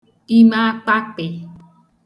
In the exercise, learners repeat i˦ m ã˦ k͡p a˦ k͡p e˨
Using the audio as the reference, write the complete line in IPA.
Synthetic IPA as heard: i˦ m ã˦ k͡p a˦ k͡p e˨